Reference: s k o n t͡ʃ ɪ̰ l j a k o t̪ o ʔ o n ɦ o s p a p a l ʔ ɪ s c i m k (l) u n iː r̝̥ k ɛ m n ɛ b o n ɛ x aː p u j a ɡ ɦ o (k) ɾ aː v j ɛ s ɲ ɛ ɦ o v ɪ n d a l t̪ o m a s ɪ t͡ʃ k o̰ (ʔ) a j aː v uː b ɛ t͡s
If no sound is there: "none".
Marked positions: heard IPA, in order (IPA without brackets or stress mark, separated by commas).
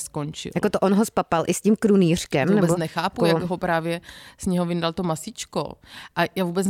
ɾ, p, ʔ